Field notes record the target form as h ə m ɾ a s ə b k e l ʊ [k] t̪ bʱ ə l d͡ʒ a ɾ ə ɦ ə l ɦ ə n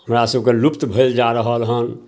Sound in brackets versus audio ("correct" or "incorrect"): incorrect